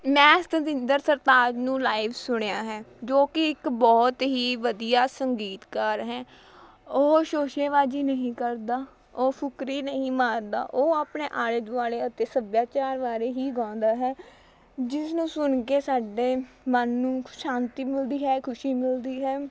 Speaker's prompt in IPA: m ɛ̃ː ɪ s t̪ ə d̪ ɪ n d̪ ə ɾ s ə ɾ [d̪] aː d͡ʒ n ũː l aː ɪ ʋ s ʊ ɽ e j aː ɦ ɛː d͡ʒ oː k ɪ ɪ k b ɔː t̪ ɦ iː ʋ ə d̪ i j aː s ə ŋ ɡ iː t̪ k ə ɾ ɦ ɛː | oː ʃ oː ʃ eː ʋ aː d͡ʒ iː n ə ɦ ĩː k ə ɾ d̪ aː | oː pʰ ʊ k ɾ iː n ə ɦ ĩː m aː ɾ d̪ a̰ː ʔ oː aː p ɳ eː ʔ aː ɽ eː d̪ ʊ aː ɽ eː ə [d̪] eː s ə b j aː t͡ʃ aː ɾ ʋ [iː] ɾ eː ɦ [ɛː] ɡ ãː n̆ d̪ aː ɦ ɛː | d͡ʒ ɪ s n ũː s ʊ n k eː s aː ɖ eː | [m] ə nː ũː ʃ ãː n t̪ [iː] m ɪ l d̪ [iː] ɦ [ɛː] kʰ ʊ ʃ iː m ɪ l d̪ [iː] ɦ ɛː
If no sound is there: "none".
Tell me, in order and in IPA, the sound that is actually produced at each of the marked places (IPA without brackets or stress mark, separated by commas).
t̪, t̪, aː, iː, m, iː, iː, ɛː, iː